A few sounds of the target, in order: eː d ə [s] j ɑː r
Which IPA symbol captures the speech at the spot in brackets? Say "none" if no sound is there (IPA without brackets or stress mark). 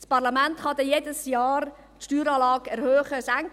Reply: s